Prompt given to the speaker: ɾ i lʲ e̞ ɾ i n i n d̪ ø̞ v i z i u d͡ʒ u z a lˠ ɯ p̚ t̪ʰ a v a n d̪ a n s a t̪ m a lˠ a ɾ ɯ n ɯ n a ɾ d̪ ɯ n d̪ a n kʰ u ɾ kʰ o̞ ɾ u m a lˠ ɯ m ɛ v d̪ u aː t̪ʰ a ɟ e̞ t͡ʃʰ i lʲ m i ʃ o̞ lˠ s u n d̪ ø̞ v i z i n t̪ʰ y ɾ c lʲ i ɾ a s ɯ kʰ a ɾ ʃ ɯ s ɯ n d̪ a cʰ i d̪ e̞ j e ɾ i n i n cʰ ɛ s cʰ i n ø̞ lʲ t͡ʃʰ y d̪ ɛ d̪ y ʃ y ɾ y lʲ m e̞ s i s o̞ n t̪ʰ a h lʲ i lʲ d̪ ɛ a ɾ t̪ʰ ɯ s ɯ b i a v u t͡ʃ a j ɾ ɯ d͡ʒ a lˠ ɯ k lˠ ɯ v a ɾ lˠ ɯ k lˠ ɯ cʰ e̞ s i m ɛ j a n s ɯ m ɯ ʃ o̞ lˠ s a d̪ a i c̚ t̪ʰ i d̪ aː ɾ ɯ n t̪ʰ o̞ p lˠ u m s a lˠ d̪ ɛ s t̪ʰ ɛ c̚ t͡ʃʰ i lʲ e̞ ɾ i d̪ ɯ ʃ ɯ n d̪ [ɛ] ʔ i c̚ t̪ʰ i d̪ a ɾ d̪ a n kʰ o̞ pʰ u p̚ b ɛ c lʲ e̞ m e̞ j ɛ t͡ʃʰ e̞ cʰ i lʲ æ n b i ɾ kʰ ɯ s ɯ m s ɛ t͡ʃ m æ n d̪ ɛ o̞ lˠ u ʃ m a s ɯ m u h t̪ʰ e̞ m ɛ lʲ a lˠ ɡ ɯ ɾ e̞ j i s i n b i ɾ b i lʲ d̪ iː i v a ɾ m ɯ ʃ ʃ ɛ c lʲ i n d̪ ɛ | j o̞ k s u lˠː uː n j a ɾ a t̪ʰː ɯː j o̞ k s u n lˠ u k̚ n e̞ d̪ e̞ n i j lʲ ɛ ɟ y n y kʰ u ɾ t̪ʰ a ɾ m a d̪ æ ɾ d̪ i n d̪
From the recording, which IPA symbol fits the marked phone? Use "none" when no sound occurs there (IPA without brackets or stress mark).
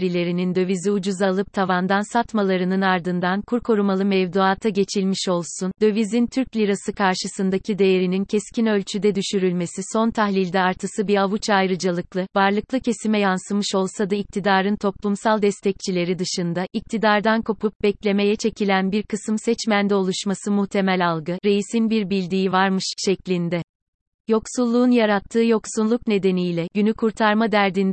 a